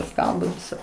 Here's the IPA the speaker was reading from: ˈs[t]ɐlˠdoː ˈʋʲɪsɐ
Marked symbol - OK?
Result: no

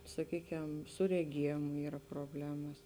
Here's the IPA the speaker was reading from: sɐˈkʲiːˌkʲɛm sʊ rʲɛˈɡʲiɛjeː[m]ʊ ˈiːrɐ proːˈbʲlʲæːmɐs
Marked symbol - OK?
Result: yes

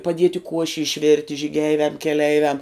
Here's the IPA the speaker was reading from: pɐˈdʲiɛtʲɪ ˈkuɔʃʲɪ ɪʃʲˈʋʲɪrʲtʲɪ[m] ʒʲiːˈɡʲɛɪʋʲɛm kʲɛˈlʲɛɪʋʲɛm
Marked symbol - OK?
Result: no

